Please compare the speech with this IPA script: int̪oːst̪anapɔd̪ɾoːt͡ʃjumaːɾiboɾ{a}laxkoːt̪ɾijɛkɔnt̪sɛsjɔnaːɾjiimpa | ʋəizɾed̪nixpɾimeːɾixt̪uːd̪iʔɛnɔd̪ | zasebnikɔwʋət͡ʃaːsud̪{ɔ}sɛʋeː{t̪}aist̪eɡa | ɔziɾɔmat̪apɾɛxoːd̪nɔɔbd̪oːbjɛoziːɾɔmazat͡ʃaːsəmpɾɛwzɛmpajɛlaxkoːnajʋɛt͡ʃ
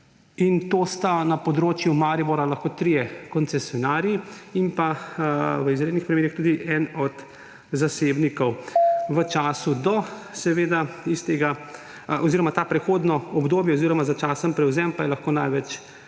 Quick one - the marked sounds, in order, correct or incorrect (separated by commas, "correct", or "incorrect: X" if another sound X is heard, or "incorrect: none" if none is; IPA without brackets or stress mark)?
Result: correct, correct, incorrect: d̪